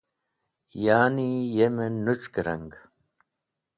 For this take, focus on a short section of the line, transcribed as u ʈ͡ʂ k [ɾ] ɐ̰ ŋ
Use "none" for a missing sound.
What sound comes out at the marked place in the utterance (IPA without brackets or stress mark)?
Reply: ɾ